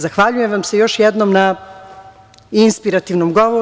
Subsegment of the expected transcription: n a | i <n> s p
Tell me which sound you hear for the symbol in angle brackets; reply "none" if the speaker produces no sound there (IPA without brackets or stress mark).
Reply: n